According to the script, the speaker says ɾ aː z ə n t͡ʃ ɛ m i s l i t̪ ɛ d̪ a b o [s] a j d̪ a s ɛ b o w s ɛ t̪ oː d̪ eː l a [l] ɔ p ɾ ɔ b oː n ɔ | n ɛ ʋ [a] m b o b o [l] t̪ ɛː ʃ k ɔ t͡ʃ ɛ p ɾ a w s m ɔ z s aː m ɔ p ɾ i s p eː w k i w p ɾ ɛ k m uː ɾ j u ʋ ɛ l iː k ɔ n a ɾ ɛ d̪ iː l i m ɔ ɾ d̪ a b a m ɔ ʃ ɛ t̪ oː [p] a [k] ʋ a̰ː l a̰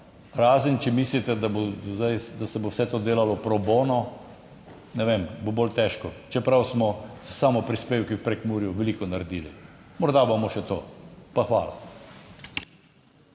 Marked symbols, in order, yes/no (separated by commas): no, yes, no, yes, yes, no